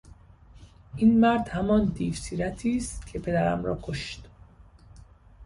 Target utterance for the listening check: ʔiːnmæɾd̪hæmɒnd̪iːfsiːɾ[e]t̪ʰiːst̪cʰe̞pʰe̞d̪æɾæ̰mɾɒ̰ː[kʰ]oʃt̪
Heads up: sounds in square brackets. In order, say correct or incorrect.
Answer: incorrect: æ, correct

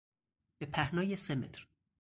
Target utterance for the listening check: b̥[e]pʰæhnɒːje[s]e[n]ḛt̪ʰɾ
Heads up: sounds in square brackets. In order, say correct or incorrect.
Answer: correct, correct, incorrect: m

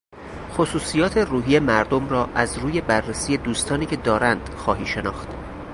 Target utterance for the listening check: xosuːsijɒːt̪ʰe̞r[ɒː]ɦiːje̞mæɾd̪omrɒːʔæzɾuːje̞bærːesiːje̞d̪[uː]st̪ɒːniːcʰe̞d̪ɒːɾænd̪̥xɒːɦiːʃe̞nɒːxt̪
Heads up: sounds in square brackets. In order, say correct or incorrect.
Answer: incorrect: uː, correct

